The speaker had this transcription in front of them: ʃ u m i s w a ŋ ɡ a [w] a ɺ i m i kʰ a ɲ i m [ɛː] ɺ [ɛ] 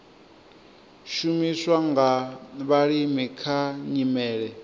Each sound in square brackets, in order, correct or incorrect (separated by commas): incorrect, correct, correct